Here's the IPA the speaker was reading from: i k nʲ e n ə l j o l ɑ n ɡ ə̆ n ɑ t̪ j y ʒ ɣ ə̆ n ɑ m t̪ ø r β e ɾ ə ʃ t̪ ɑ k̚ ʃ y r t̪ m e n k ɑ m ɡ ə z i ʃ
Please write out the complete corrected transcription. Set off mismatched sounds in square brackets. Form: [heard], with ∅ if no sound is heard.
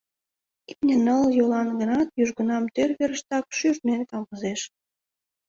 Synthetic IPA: i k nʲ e n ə l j o l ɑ n ɡ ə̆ n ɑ t̪ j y ʒ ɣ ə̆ n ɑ m t̪ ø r β e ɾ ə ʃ t̪ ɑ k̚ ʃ y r t̪ m e n k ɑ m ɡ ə z [e] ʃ